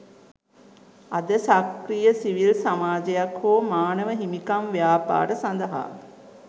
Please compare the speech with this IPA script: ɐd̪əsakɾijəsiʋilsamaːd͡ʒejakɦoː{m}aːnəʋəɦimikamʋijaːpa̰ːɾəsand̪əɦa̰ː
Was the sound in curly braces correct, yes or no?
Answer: yes